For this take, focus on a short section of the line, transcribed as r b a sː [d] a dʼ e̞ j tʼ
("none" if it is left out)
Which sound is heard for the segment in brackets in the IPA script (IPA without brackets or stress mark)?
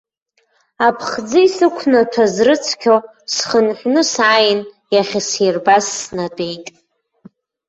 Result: n